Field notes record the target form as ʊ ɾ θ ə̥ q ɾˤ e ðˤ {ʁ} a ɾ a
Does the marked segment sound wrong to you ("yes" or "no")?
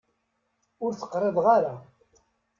no